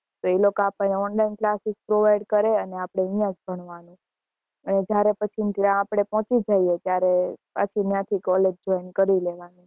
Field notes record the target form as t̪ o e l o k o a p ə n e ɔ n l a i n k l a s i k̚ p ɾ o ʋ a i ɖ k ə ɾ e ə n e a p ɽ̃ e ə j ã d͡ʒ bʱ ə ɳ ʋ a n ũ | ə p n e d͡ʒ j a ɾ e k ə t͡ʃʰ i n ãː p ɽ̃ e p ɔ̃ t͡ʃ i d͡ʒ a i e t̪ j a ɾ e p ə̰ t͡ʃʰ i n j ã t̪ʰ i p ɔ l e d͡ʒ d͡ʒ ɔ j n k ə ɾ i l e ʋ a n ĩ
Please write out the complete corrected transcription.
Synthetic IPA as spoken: t̪ o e l o k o a p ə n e ɔ n l a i n k l a s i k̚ p ɾ o ʋ a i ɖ k ə ɾ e ə n e a p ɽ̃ e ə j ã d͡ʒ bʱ ə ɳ ʋ a n ũ | ə n e d͡ʒ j a ɾ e p ə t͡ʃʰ i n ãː p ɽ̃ e p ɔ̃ t͡ʃ i d͡ʒ a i e t̪ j a ɾ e p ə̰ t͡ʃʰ i n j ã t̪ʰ i k ɔ l e d͡ʒ d͡ʒ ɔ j n k ə ɾ i l e ʋ a n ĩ